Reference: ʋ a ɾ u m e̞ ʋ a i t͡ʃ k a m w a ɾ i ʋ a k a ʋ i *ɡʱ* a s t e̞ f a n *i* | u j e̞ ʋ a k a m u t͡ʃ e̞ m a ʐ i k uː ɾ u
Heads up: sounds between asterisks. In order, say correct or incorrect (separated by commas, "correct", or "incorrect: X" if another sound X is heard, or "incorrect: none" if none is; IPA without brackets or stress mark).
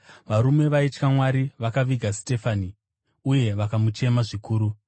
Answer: correct, correct